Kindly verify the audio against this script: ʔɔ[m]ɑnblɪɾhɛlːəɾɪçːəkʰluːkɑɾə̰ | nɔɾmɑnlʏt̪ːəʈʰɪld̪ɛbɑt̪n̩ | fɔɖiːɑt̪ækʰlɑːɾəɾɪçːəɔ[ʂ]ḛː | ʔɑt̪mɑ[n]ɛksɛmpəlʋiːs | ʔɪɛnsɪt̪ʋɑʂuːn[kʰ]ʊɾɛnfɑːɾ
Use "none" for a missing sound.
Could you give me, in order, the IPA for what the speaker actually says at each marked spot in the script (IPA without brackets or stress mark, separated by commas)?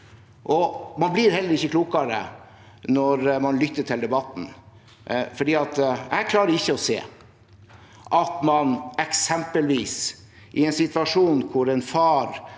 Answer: m, s, n, kʰ